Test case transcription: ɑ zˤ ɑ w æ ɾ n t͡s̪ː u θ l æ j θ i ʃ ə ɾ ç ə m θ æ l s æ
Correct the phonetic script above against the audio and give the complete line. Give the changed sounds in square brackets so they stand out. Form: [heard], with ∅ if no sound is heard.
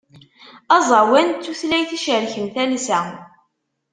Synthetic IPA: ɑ zˤ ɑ w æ [∅] n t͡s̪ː u θ l æ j θ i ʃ ə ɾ ç ə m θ æ l s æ